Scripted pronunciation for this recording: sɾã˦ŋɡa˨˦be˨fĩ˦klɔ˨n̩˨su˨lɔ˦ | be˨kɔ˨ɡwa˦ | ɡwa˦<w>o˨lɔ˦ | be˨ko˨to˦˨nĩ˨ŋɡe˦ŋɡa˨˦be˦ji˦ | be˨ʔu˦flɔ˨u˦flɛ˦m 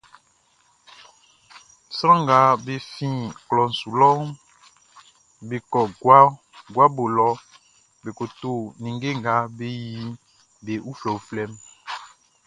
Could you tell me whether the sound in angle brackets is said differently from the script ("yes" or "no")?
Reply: yes